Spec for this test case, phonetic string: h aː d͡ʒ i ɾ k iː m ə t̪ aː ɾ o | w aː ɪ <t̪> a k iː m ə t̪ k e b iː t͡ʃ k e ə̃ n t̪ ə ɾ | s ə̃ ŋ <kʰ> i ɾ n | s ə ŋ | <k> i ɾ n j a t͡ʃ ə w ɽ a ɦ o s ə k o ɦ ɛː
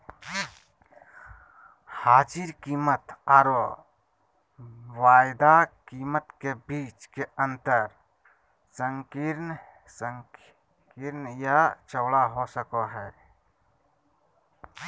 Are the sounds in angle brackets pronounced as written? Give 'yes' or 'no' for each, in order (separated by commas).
no, no, yes